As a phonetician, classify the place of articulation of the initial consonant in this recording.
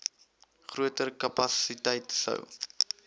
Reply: uvular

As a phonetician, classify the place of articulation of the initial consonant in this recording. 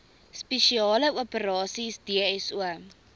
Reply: alveolar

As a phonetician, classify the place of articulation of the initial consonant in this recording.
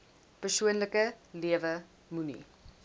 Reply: labial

